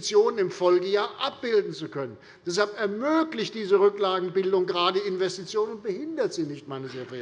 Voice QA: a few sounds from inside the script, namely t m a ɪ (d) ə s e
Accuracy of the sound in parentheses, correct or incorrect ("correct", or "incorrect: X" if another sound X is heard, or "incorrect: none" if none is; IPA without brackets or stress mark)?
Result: incorrect: n